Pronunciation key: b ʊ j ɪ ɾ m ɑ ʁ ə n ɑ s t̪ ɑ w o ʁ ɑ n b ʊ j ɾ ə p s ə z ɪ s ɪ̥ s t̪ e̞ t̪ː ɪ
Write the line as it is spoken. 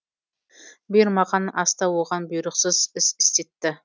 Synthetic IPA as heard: b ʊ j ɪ ɾ m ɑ ʁ ɑ n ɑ s t̪ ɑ w o ʁ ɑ n b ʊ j ɾ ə q s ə z ɪ s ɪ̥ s t̪ e̞ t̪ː ɪ